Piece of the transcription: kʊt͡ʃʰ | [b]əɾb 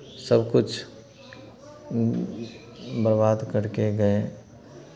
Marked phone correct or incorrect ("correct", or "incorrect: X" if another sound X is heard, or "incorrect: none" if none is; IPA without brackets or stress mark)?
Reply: correct